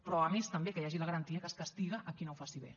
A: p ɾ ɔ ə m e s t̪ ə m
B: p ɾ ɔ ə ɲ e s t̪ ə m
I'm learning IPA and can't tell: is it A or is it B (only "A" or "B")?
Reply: A